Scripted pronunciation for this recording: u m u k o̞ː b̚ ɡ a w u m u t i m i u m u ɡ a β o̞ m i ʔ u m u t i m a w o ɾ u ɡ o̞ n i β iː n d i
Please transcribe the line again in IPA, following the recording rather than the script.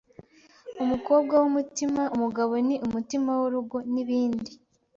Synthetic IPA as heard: u m u k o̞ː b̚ ɡ a w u m u t i m a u m u ɡ a β o̞ n i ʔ u m u t i m a w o ɾ u ɡ o̞ n i β iː n d i